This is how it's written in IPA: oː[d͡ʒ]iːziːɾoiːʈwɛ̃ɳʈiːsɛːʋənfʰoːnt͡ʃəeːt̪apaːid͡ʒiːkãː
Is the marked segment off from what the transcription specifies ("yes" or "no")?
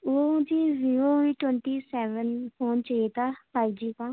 no